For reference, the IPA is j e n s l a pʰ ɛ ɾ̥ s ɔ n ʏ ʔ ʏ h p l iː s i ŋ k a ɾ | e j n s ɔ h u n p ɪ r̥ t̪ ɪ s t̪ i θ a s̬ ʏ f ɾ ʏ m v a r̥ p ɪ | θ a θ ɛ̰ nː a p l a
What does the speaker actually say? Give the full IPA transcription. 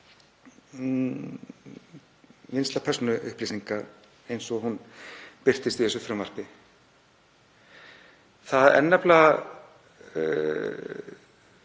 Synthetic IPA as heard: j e n s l a pʰ ɛ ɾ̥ s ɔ n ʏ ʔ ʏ h p l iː s i ŋ k a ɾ | e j n s ɔ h u n p ɪ r̥ t̪ ɪ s t̪ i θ ɛ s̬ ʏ f ɾ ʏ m v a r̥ p ɪ | θ a ð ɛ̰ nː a p l a